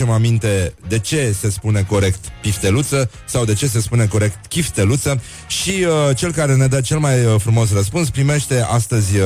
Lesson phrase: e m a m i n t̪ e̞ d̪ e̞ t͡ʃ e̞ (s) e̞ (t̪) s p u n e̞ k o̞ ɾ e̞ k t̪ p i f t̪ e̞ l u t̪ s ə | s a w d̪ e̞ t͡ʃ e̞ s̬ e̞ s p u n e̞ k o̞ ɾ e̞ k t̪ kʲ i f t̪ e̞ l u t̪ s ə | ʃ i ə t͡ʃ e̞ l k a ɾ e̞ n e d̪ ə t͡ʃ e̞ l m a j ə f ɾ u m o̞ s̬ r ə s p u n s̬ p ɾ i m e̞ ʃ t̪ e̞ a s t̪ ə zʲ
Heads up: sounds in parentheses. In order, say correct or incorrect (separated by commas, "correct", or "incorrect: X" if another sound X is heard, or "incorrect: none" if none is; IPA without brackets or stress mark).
correct, incorrect: none